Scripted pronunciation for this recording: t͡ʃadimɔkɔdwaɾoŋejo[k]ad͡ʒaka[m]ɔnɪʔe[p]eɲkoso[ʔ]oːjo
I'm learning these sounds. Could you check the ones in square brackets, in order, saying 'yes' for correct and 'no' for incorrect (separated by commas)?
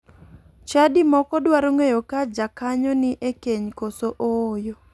yes, no, no, yes